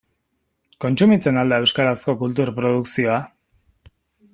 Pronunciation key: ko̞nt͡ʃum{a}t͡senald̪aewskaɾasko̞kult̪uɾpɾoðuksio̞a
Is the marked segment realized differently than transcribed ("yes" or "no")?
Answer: yes